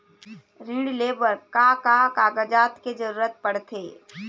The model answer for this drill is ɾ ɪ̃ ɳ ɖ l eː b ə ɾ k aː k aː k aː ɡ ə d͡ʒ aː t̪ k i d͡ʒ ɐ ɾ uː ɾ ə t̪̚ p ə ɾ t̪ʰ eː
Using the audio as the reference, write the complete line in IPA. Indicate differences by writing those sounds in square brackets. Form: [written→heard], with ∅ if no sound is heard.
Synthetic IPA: ɾ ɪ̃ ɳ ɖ l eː b ə ɾ k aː k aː k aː ɡ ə d͡ʒ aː t̪ k [i→e] d͡ʒ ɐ ɾ uː ɾ ə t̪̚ p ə [ɾ→ɽ] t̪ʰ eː